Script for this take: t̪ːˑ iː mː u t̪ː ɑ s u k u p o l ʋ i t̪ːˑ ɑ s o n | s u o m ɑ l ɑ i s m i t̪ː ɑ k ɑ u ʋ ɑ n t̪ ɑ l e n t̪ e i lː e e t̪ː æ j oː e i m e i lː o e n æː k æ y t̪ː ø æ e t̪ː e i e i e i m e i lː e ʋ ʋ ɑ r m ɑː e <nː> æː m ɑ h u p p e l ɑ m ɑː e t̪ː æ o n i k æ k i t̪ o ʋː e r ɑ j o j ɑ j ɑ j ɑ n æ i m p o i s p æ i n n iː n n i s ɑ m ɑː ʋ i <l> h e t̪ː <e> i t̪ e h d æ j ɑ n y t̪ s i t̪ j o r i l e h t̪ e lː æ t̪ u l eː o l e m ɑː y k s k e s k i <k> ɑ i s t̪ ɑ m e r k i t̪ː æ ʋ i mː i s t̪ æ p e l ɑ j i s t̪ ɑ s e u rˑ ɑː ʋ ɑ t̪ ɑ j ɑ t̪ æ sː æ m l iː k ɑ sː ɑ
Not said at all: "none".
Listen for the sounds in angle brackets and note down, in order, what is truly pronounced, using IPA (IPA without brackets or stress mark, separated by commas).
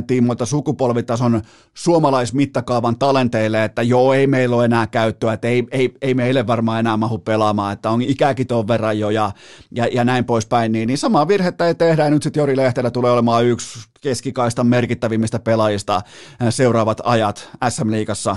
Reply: n, r, æ, k